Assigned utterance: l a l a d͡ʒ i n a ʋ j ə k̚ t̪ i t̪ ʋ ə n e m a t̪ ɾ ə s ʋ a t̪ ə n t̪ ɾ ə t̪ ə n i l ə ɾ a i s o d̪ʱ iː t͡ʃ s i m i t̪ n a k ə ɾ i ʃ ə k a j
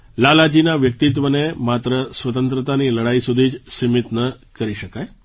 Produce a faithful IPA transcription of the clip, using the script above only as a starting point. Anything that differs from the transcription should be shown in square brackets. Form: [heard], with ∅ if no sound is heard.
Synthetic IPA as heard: l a l a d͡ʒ i n a ʋ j ə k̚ t̪ i t̪ ʋ ə n e m a t̪ ɾ ə s ʋ [ə] t̪ ə n t̪ ɾ ə t̪ [a] n i l ə [ɽ] a i s [u] d̪ʱ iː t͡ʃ s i m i t̪ n [ə] k ə ɾ i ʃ ə k a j

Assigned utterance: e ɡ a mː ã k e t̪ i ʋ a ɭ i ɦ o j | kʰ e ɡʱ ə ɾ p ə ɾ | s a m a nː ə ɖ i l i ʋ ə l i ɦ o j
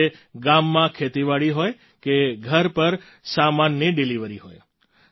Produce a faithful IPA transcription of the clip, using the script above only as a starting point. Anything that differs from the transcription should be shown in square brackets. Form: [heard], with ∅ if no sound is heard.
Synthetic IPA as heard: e ɡ a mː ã [kʰ] e t̪ i ʋ a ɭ i ɦ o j | [k] e ɡʱ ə ɾ p ə ɾ | s a m a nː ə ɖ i l i ʋ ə [ɾ] i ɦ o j

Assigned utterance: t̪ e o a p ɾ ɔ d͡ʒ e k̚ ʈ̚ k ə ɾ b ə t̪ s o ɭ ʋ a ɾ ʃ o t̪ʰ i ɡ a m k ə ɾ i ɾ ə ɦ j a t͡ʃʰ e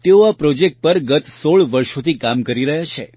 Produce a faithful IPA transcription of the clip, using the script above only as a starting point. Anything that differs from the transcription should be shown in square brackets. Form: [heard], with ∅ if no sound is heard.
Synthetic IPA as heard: t̪ e o a p ɾ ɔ d͡ʒ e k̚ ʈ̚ [p] ə ɾ [ɡ] ə t̪ s o ɭ ʋ [ə] ɾ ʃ o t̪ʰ i [k] a m k ə ɾ i ɾ ə ɦ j a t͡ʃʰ e

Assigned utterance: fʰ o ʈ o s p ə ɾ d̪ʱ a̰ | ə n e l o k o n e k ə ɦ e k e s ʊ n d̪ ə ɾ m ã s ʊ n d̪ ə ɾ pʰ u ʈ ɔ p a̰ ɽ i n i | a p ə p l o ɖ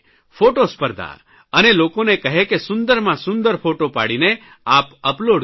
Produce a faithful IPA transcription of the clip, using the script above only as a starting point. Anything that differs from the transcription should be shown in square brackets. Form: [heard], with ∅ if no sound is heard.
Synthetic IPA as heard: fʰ o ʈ o s p ə ɾ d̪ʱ a̰ | ə n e l o k o n e k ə ɦ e k e s ʊ n d̪ ə ɾ m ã s ʊ n d̪ ə ɾ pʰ [o] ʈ [o] p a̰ ɽ i n [e] | a p ə p l o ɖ

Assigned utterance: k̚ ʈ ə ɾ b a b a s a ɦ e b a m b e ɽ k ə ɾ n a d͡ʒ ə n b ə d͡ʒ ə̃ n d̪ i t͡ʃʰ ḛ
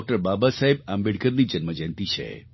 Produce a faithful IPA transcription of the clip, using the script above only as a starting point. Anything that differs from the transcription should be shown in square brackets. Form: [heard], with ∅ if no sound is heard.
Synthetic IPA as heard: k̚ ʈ ə ɾ b a b a s a ɦ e b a m b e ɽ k ə ɾ n [i] d͡ʒ ə n [m] ə d͡ʒ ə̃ n [t̪] i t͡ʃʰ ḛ

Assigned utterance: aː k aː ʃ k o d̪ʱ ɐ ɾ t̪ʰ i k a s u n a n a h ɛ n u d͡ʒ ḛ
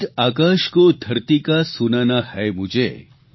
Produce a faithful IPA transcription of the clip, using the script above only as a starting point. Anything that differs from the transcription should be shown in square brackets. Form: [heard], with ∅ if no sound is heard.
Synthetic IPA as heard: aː k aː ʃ k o d̪ʱ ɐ ɾ [t̪] i k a s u n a n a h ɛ [m] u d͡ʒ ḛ

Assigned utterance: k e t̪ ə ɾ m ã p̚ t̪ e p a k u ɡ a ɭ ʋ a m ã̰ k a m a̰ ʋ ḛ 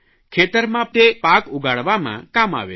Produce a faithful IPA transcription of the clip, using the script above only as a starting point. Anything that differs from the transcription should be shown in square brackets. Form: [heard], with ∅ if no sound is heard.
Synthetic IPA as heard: [kʰ] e t̪ ə ɾ m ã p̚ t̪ e p a k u ɡ a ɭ ʋ a m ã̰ k a m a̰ ʋ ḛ

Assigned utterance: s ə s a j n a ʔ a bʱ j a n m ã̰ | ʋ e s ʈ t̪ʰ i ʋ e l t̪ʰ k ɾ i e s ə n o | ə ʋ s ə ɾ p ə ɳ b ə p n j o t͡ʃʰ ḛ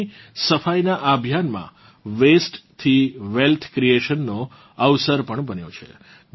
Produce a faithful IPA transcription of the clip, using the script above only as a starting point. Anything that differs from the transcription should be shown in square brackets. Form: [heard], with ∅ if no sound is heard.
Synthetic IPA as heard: s ə [f] a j n a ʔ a bʱ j a n m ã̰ | ʋ e s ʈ t̪ʰ i ʋ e l t̪ʰ k ɾ i e [ʃ] ə [nː] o | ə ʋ s ə ɾ p ə ɳ b ə [∅] n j o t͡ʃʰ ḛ

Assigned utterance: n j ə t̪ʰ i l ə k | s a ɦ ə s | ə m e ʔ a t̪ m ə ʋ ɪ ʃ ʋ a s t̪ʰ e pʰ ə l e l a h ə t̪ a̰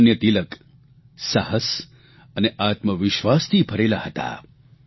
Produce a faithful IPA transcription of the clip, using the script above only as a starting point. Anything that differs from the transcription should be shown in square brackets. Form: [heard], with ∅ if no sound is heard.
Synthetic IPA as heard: n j ə [t̪] i l ə k | s a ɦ ə s | ə [n] e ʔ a t̪ m ə ʋ ɪ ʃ ʋ a s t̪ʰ [i] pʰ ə [ɾ] e l a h ə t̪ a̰

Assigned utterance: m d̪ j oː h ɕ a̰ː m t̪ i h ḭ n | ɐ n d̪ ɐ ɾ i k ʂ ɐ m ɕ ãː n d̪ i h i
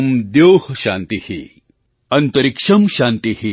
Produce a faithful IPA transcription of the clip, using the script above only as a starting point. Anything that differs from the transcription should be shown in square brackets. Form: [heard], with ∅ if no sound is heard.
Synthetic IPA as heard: m d̪ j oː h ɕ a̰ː [n] t̪ i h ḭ [∅] | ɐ n [t̪] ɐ ɾ i k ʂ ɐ m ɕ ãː n [t̪] i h i

